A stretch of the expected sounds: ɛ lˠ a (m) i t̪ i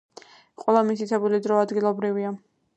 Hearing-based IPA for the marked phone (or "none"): m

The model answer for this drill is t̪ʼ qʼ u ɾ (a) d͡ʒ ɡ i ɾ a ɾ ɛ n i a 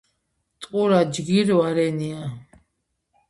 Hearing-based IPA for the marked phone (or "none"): a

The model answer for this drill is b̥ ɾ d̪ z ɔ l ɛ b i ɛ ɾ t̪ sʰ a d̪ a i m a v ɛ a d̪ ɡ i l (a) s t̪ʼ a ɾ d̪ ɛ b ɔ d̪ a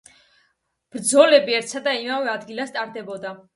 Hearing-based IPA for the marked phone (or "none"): a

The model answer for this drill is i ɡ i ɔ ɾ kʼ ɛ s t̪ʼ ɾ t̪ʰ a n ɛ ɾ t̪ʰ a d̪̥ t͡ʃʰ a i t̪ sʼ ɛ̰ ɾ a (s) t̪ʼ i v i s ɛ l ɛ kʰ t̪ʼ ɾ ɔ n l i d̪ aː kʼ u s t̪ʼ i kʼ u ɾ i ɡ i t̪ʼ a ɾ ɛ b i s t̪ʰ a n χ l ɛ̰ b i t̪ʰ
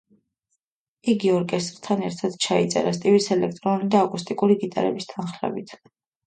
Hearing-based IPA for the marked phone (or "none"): s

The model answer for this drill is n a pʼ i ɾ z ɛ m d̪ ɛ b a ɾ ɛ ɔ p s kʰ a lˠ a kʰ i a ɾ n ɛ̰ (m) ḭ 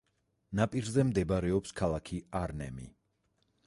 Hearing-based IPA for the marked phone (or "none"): m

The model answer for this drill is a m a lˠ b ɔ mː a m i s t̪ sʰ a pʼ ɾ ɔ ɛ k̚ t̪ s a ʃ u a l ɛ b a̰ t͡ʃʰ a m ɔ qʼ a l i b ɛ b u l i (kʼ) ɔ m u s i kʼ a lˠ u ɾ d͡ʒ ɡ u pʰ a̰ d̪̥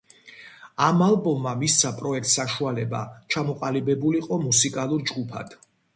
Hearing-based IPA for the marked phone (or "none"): qʼ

